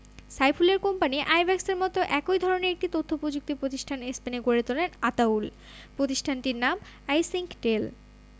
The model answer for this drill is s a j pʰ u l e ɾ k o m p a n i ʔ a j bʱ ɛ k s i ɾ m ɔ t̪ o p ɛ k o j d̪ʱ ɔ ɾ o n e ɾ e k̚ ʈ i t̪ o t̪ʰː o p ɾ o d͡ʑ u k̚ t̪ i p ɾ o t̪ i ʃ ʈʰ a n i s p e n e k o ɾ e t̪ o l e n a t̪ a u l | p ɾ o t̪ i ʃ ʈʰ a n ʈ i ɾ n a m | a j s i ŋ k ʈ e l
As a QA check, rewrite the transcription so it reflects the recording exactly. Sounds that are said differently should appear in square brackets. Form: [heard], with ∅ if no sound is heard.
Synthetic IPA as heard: s a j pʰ u l e ɾ k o m p a n i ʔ a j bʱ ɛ k s [e] ɾ m ɔ t̪ o [ʔ] ɛ k o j d̪ʱ ɔ ɾ o n e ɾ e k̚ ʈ i t̪ o t̪ʰː o p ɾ o d͡ʑ u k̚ t̪ i p ɾ o t̪ i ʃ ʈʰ a n [e] s p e n e [ɡ] o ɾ e t̪ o l e n a t̪ a u l | p ɾ o t̪ i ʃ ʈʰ a n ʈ i ɾ n a m | a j s i ŋ k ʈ e l